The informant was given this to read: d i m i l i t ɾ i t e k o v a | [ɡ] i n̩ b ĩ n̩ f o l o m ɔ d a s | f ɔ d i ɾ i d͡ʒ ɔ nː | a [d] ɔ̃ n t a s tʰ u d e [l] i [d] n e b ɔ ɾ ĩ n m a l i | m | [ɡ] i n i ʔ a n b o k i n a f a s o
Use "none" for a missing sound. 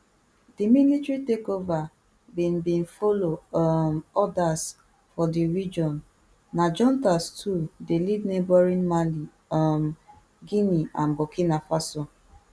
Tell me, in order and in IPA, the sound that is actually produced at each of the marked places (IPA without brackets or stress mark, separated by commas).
b, d͡ʒ, l, d, ɡ